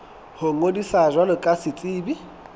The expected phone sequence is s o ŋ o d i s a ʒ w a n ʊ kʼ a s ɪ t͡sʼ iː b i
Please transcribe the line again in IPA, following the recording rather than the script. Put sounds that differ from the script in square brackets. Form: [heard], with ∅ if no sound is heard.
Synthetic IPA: [h] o ŋ o d i s a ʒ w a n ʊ kʼ a s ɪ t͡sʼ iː b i